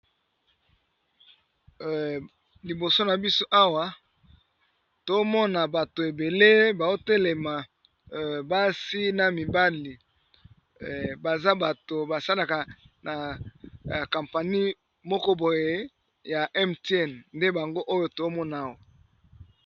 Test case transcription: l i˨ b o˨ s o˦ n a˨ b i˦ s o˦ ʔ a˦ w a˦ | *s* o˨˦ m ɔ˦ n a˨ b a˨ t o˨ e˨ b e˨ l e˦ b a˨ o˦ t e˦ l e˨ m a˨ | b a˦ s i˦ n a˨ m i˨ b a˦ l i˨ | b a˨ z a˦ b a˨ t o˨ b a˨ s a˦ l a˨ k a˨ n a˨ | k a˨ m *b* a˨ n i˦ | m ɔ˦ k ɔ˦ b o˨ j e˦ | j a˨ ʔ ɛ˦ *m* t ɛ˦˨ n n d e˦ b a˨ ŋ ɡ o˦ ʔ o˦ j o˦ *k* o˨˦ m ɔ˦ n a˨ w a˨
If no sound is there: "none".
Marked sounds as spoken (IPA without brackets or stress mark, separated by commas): t, p, m, t